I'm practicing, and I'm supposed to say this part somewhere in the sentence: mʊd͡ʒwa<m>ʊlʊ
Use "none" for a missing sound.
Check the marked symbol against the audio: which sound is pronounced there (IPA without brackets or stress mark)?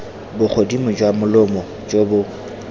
m